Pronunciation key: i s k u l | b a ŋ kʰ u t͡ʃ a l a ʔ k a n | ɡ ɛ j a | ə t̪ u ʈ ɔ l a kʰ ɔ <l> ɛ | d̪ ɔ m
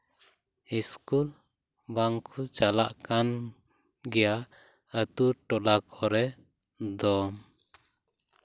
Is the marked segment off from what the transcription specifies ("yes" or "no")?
yes